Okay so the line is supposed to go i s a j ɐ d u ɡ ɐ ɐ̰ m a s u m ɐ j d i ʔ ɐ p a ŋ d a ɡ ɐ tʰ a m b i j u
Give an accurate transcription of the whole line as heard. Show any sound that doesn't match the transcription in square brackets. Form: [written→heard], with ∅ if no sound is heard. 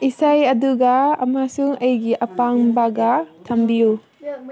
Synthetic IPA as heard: i s a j ɐ d u ɡ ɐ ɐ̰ m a s u [m→ŋ] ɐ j [d→ɡ] i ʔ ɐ p a ŋ [d→b] a ɡ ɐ tʰ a m b i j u